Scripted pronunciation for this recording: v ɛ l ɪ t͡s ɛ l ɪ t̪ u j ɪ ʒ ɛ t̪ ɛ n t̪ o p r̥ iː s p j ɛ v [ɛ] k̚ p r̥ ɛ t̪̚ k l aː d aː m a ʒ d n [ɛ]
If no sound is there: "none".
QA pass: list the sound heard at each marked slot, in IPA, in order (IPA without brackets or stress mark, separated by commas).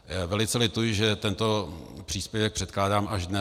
ɛ, ɛ